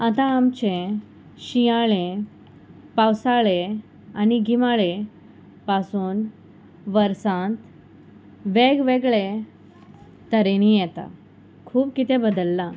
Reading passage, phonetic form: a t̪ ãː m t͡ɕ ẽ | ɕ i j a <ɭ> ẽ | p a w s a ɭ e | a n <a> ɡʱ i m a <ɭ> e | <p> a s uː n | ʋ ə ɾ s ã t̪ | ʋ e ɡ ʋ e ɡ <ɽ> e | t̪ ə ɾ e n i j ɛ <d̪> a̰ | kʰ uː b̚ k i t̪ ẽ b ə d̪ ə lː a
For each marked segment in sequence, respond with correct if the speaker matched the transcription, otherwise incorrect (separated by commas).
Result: correct, incorrect, correct, correct, incorrect, incorrect